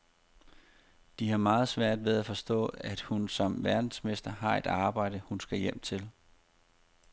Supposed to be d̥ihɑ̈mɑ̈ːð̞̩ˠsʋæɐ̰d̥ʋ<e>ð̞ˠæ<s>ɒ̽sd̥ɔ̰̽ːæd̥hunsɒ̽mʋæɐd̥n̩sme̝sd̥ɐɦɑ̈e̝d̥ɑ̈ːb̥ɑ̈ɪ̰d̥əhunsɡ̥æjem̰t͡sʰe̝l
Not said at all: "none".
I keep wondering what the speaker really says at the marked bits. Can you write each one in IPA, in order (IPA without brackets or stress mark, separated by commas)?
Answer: e, f